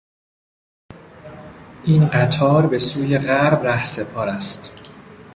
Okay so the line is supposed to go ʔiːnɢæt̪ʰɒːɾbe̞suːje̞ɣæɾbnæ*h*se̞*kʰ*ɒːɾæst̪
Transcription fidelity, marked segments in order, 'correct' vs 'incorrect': correct, incorrect: pʰ

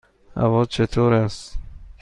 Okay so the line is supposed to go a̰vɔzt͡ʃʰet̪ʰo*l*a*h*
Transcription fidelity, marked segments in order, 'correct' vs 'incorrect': incorrect: ɾ, incorrect: s

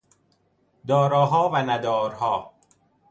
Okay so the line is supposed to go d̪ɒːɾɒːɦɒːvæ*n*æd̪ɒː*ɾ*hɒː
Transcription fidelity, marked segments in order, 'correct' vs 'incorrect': correct, correct

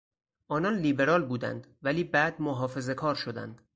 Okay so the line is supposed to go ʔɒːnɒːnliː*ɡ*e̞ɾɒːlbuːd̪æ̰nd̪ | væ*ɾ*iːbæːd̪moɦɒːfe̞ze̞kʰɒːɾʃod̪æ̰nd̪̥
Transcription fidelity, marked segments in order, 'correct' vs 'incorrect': incorrect: b, incorrect: l

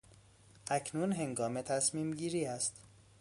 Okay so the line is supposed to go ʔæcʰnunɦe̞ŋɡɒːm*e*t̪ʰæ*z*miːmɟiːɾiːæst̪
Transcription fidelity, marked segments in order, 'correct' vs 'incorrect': correct, incorrect: s

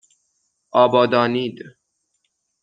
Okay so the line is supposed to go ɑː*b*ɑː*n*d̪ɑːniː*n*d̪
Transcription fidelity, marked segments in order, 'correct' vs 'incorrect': correct, incorrect: none, incorrect: none

